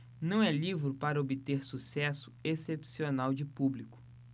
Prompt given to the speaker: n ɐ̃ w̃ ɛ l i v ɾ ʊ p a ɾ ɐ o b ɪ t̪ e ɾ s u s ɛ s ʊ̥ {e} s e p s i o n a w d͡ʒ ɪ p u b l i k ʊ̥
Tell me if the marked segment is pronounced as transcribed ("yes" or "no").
yes